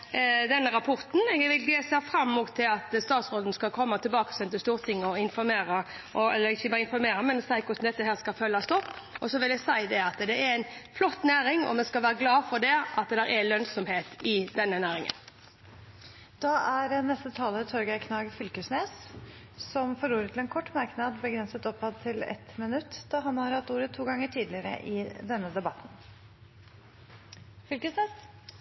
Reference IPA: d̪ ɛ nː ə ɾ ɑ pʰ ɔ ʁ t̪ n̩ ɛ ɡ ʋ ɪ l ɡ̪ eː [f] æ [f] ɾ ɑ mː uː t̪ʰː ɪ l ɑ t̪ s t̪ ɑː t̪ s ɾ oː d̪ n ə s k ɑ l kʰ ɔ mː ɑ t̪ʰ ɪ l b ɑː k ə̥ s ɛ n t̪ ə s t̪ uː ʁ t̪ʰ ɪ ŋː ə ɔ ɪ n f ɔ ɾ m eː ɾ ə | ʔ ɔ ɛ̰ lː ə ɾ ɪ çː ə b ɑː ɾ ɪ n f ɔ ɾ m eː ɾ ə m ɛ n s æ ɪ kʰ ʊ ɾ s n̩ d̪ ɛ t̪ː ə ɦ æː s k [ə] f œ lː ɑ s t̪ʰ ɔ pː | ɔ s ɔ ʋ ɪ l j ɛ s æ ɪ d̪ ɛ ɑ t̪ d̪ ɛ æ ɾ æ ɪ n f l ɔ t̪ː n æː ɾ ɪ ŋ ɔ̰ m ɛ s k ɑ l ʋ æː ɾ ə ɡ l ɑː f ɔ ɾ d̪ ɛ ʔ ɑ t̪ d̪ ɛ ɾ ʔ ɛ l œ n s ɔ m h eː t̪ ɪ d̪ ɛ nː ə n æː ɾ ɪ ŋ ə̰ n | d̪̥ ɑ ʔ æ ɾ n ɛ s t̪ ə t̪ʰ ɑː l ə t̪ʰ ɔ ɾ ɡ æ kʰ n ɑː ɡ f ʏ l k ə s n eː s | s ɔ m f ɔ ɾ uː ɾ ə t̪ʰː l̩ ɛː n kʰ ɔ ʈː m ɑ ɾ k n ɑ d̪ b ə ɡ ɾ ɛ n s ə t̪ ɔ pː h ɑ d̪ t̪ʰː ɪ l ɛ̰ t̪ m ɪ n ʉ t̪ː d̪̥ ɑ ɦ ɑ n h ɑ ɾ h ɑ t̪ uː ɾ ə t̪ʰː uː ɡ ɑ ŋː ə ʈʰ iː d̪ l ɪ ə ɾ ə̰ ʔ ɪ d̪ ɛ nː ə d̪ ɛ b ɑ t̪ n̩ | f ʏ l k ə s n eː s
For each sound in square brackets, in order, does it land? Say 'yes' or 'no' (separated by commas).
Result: no, yes, no